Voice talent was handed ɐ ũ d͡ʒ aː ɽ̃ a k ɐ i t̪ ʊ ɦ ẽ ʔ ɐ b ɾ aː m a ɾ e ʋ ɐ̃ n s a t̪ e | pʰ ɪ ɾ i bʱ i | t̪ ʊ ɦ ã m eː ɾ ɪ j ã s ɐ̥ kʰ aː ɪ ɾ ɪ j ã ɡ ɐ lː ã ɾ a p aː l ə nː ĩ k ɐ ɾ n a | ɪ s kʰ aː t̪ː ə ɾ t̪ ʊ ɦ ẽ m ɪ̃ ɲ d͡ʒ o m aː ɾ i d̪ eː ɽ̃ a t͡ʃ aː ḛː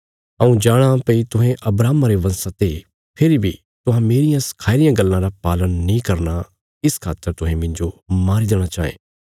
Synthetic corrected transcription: ɐ ũ d͡ʒ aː ɽ̃ a p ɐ i t̪ ʊ ɦ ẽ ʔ ɐ b ɾ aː m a ɾ e ʋ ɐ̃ n s a t̪ e | pʰ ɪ ɾ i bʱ i | t̪ ʊ ɦ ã m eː ɾ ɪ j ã s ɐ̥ kʰ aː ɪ ɾ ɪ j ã ɡ ɐ lː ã ɾ a p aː l ə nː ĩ k ɐ ɾ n a | ɪ s kʰ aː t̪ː ə ɾ t̪ ʊ ɦ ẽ m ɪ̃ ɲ d͡ʒ o m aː ɾ i d̪ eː ɽ̃ a t͡ʃ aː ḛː

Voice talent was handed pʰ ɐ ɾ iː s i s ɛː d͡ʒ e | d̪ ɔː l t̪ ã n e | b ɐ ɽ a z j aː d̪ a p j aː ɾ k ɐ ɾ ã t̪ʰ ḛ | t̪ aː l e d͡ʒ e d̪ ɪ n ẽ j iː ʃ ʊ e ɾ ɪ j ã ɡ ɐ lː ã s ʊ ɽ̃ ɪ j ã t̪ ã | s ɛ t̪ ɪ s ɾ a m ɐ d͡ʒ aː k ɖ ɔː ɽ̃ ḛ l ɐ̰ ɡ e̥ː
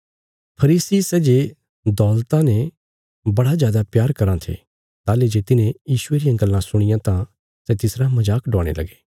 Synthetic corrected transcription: pʰ ɐ ɾ iː s i s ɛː d͡ʒ e | d̪ ɔː l t̪ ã n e | b ɐ ɽ a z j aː d̪ a p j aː ɾ k ɐ ɾ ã t̪ʰ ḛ | t̪ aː l e d͡ʒ e t̪ ɪ n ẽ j iː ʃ ʊ e ɾ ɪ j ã ɡ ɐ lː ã s ʊ ɽ̃ ɪ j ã t̪ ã | s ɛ t̪ ɪ s ɾ a m ɐ d͡ʒ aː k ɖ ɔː ɽ̃ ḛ l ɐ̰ ɡ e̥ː

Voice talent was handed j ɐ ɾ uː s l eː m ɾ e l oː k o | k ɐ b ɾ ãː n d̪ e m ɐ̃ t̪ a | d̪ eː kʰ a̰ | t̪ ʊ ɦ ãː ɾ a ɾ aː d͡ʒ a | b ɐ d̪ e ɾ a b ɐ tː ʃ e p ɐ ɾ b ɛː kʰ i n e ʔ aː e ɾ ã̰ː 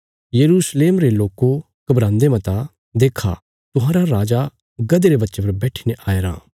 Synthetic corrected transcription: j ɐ ɾ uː s l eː m ɾ e l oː k o | k ɐ b ɾ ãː n d̪ e m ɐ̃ t̪ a | d̪ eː kʰ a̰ | t̪ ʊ ɦ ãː ɾ a ɾ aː d͡ʒ a | ɡ ɐ d̪ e ɾ e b ɐ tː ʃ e p ɐ ɾ b ɛː ʈʰ i n e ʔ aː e ɾ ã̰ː

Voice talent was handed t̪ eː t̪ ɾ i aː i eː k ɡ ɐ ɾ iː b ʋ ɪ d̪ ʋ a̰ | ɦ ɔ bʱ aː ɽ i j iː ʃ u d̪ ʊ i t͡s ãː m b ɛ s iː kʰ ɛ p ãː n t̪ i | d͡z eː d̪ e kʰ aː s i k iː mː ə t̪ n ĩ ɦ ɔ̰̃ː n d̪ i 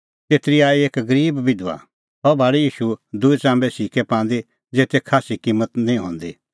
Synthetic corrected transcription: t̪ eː t̪ ɾ i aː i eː k ɡ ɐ ɾ iː b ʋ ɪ d̪ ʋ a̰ | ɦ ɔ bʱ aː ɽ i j iː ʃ u d̪ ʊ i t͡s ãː m b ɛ s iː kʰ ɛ p ãː n d̪ i | d͡z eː t̪ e kʰ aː s i k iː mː ə t̪ n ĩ ɦ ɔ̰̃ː n d̪ i

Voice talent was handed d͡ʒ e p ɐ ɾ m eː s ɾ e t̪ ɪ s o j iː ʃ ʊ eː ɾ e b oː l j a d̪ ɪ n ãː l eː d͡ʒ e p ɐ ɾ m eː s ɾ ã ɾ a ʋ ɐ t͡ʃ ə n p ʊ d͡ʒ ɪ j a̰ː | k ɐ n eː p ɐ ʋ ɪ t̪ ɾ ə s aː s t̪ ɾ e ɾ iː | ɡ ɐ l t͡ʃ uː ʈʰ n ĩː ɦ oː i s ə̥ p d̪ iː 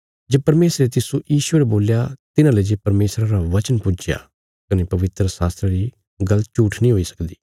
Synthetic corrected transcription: d͡ʒ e p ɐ ɾ m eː s ɾ e t̪ ɪ s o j iː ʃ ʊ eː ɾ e b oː l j a t̪ ɪ n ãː l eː d͡ʒ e p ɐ ɾ m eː s ɾ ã ɾ a ʋ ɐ t͡ʃ ə n p ʊ d͡ʒ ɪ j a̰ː | k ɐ n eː p ɐ ʋ ɪ t̪ ɾ ə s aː s t̪ ɾ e ɾ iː | ɡ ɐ l t͡ʃ uː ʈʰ n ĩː ɦ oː i s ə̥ k d̪ iː

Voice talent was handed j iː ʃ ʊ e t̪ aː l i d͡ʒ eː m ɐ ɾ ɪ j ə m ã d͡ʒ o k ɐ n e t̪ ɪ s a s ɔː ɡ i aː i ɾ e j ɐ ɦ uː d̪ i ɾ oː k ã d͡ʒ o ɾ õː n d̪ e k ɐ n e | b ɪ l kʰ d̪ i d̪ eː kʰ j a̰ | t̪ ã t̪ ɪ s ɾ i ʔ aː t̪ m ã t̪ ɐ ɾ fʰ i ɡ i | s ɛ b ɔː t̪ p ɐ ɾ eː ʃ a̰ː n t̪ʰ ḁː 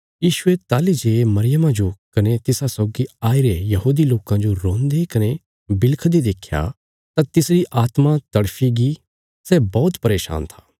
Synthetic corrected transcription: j iː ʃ ʊ e t̪ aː l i d͡ʒ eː m ɐ ɾ ɪ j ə m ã d͡ʒ o k ɐ n e t̪ ɪ s a s ɔː ɡ i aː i ɾ e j ɐ ɦ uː d̪ i l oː k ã d͡ʒ o ɾ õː n d̪ e k ɐ n e | b ɪ l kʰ d̪ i d̪ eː kʰ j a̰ | t̪ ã t̪ ɪ s ɾ i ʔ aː t̪ m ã t̪ ɐ ɽ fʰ i ɡ i | s ɛ b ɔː t̪ p ɐ ɾ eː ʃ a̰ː n t̪ʰ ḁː

